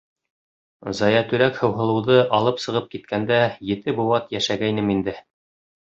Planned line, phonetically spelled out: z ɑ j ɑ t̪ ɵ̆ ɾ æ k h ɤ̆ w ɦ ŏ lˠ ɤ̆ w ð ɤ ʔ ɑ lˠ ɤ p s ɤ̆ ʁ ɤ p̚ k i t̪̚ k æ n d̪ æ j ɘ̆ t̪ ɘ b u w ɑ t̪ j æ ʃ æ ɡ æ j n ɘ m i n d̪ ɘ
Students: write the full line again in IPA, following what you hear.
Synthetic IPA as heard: z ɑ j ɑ t̪ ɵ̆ ɾ æ k h ɤ̆ w ɦ ɤ̆ lˠ ɤ̆ w ð ɤ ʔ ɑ lˠ ɤ p s ɤ̆ ʁ ɤ p̚ k i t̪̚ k æ n d̪ æ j ɘ̆ t̪ ɘ b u w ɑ t̪ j æ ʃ æ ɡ æ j n ɘ m i n d̪ ɘ

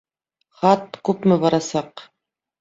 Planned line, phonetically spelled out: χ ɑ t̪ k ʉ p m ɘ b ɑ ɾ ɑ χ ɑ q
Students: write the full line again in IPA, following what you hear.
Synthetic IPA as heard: χ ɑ t̪ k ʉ p m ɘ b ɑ ɾ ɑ s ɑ q

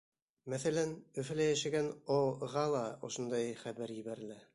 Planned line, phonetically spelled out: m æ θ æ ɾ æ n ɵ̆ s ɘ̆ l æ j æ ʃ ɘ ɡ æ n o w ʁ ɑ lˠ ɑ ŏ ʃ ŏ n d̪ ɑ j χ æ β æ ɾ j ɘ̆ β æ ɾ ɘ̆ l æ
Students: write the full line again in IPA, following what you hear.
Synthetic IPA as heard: m æ θ æ l æ n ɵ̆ f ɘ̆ l æ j æ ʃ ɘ ɡ æ n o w ʁ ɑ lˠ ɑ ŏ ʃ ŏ n d̪ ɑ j χ æ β æ ɾ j ɘ̆ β æ ɾ ɘ̆ l æ

